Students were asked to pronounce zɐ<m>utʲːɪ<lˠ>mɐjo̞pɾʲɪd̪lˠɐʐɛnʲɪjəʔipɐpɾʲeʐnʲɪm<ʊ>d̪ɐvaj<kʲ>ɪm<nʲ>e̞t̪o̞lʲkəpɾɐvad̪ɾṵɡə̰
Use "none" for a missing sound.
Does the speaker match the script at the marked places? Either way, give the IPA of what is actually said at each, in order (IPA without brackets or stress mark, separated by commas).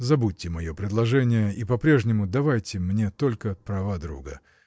b, none, ʊ, tʲ, nʲ